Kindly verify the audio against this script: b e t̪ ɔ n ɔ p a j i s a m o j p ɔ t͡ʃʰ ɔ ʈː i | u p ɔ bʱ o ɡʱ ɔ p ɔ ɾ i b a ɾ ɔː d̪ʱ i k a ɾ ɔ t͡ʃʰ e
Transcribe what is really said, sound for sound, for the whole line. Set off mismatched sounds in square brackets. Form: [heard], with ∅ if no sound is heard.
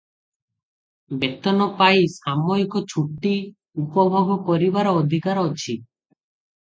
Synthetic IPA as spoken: b e t̪ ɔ n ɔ p a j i s a m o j [k] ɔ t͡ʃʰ [u] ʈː i | u p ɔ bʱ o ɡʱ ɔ p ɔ ɾ i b a ɾ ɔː d̪ʱ i k a ɾ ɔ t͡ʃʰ [i]